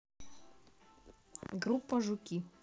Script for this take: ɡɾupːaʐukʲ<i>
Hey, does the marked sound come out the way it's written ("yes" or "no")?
yes